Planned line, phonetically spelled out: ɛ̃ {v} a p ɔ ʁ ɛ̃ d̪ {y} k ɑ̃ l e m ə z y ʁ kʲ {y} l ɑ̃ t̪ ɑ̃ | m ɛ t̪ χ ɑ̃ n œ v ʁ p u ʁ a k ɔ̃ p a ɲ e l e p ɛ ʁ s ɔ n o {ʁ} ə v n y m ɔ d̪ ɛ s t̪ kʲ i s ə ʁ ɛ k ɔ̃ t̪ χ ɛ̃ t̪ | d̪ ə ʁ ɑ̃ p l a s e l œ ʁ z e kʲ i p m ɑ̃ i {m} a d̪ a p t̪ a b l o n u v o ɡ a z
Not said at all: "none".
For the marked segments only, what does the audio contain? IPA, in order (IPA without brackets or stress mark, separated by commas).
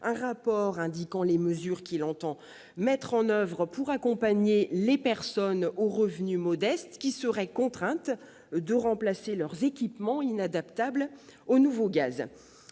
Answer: ʁ, i, i, ʁ, n